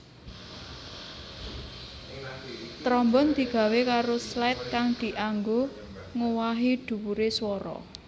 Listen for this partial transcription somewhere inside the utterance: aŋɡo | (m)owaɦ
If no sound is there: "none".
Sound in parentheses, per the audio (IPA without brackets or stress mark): ŋ